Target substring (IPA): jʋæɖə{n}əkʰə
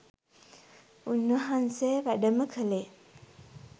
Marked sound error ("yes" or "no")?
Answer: yes